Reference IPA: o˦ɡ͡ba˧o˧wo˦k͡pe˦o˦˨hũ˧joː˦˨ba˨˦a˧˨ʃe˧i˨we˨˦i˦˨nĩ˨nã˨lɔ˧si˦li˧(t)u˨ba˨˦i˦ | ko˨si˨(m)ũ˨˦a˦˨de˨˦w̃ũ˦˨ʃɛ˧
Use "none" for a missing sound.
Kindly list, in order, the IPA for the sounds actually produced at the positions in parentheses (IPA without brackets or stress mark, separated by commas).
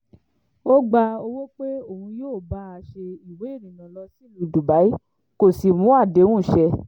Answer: d, m